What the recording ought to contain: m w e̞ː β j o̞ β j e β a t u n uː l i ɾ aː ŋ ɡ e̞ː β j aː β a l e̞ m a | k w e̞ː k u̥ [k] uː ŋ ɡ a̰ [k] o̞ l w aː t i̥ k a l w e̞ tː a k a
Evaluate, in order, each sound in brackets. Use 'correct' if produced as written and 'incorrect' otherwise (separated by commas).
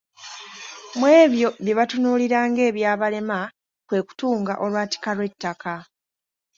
incorrect, incorrect